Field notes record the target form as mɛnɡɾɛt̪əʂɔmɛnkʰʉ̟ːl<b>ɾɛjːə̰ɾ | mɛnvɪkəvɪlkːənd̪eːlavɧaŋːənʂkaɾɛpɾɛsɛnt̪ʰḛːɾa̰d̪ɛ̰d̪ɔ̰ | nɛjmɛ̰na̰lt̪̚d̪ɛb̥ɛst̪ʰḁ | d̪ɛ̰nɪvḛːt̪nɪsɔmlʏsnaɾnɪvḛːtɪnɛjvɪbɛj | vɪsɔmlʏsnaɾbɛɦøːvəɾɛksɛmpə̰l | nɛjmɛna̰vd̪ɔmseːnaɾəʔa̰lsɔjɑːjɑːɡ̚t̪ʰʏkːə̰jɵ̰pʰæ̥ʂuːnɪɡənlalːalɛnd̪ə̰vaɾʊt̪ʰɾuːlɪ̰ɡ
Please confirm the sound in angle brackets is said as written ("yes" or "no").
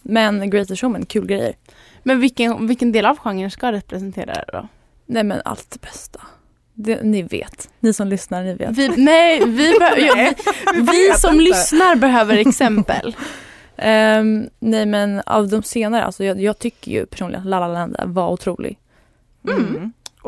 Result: no